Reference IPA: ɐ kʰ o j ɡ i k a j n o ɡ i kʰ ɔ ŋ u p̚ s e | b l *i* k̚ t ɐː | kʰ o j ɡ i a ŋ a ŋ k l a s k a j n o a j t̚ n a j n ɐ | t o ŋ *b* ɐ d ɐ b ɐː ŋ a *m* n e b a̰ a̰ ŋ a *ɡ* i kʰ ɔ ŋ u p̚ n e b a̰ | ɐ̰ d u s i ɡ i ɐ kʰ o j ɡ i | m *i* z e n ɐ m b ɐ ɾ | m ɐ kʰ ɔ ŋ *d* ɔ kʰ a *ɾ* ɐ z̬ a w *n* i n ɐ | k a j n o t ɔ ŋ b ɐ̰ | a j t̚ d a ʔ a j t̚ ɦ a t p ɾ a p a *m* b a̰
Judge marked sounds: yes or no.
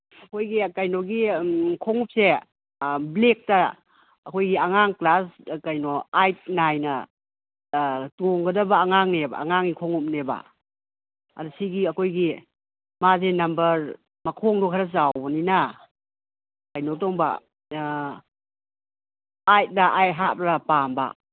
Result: no, no, no, no, no, yes, yes, yes, yes

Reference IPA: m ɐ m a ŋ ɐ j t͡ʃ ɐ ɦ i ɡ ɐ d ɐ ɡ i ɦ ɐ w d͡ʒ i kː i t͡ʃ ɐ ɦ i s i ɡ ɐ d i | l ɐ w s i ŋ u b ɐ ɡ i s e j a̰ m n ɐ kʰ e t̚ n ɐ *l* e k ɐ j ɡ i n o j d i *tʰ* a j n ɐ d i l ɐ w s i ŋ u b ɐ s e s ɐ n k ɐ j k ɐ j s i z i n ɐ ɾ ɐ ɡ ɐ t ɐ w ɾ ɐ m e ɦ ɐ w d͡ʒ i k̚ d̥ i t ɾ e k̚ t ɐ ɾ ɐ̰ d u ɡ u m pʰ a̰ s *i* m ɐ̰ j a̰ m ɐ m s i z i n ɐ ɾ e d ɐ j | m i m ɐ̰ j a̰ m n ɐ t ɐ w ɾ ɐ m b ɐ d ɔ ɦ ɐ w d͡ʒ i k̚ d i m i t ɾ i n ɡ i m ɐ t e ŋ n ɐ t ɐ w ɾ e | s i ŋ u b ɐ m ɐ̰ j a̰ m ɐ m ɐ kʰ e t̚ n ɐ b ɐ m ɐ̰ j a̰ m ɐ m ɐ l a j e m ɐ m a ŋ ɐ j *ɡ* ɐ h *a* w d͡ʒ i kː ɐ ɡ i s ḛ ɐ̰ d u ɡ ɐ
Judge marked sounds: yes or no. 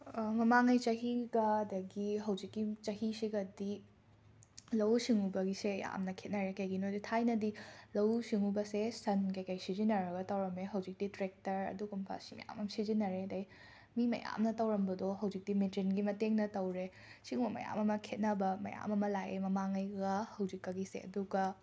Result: no, yes, yes, yes, no

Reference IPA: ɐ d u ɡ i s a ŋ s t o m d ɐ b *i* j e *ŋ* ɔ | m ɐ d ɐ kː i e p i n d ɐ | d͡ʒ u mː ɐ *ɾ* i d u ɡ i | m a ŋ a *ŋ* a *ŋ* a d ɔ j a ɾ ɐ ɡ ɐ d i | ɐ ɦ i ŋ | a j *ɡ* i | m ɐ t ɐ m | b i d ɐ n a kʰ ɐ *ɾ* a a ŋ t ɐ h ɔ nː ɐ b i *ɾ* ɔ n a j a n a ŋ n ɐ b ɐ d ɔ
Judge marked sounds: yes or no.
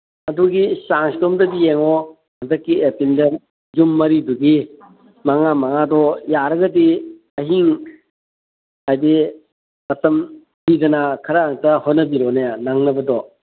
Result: yes, yes, yes, no, yes, no, yes, yes

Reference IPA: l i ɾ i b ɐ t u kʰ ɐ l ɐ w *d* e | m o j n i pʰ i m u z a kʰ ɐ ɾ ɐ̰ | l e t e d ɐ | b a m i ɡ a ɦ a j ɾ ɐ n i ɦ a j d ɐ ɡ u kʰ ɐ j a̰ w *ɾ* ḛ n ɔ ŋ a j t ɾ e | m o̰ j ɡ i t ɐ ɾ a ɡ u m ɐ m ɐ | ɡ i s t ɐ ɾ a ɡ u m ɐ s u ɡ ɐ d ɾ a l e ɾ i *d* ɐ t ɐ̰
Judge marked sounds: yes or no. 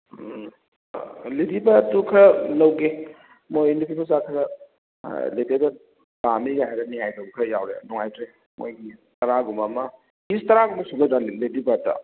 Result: no, yes, no

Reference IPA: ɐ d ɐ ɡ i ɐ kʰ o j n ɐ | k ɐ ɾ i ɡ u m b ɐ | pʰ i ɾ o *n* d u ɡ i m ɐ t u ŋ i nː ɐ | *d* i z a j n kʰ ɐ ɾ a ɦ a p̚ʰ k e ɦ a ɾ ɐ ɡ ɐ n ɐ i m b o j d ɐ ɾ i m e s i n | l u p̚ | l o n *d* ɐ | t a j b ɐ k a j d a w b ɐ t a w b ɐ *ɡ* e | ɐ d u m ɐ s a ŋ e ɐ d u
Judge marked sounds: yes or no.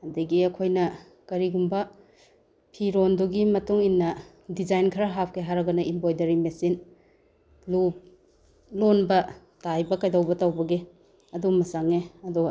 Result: yes, yes, no, yes

